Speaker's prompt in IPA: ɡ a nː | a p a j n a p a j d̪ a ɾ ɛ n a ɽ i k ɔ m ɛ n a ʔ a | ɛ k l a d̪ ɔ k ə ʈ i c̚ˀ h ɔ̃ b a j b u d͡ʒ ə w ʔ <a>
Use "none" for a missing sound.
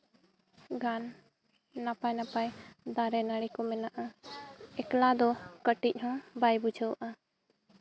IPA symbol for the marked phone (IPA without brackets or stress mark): a